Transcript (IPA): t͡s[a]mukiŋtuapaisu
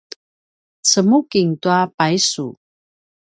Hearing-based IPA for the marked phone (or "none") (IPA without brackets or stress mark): ə